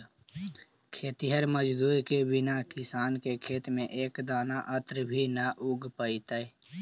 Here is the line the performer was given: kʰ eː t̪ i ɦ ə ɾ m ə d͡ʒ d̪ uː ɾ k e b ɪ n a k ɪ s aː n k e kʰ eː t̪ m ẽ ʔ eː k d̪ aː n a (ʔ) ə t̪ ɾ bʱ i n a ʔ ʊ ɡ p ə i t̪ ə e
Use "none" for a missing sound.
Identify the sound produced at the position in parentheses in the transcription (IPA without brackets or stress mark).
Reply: ʔ